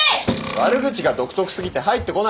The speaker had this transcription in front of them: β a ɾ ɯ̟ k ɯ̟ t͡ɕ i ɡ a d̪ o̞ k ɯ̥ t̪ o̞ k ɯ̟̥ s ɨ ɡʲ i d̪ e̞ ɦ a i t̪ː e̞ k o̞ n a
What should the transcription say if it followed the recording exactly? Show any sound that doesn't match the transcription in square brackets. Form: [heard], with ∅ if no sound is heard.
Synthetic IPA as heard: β a ɾ ɯ̟ [ɡ] ɯ̟ t͡ɕ i ɡ a d̪ o̞ k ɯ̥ t̪ o̞ k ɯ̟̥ s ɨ ɡʲ i [t̪] e̞ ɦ a i t̪ː e̞ k o̞ n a